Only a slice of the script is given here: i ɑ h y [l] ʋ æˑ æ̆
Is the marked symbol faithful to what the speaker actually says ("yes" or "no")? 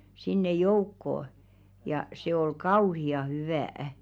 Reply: no